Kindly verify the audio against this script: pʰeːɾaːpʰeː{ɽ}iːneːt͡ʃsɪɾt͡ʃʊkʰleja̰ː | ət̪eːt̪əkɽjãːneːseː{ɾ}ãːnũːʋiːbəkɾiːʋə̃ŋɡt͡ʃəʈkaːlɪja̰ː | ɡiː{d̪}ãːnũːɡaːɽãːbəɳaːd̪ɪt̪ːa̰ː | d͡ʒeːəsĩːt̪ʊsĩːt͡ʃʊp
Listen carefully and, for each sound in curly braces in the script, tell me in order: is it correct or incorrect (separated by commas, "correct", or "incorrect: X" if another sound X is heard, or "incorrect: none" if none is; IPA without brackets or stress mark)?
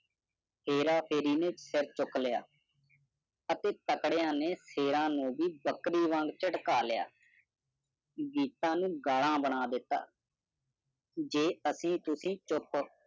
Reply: incorrect: ɾ, correct, incorrect: t̪